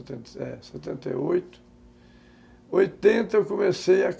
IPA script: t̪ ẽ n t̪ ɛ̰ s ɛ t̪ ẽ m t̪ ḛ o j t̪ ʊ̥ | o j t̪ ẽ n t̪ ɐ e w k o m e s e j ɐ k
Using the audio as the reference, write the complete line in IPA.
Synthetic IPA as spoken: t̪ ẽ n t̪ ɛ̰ s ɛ t̪ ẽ n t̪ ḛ o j t̪ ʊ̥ | o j t̪ ẽ n t̪ ɐ e w k o m e s e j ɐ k